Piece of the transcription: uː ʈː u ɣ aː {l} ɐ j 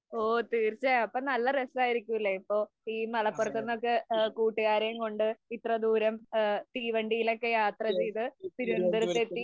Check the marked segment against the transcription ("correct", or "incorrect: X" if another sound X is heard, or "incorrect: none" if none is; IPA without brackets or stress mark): incorrect: ɾ